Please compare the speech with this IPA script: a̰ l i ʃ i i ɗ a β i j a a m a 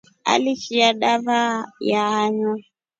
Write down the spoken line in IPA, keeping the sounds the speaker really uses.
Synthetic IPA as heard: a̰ l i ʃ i a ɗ a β a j a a ɲ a